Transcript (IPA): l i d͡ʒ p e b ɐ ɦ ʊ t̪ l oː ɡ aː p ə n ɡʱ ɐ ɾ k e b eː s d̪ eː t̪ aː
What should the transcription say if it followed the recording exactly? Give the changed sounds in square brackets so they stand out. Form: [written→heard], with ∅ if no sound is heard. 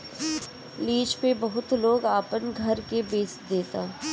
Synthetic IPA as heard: l [i→iː] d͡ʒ p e b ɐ ɦ ʊ t̪ l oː ɡ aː p ə n ɡʱ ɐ ɾ k e b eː s d̪ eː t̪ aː